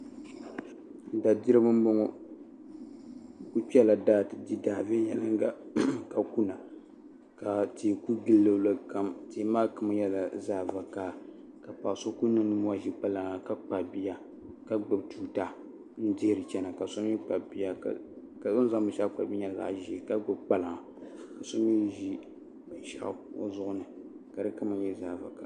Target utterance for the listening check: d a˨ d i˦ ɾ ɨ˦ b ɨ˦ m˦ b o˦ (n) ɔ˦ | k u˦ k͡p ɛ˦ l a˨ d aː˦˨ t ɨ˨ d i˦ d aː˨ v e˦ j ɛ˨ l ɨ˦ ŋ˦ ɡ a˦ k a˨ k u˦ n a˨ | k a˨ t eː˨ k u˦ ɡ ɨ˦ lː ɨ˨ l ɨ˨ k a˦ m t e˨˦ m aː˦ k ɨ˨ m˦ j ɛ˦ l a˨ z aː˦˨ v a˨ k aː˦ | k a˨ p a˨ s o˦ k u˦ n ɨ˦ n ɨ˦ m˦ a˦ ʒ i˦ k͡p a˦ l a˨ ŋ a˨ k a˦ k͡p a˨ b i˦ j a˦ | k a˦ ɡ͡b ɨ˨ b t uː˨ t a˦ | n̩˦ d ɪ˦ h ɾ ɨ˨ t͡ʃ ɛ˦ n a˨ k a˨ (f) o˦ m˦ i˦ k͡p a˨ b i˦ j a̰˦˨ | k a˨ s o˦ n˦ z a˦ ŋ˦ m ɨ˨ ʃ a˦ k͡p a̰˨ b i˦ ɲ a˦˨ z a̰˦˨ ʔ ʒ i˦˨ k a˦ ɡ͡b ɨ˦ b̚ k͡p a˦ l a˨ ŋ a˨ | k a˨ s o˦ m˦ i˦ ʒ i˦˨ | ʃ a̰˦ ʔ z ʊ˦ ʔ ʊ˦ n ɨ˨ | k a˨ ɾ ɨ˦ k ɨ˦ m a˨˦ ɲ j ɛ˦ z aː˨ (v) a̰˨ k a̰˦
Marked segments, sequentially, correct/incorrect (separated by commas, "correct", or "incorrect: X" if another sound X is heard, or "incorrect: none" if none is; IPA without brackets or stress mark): incorrect: ŋ, incorrect: s, correct